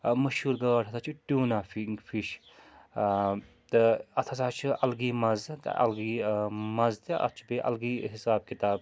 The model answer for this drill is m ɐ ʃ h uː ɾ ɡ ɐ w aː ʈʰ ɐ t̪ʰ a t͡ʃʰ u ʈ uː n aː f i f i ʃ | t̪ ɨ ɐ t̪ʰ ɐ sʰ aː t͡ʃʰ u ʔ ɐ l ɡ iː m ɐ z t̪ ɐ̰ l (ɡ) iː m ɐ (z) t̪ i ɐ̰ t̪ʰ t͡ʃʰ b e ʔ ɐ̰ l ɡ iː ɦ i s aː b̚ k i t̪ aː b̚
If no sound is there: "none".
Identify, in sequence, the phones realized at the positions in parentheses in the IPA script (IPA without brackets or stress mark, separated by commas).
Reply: ɡ, z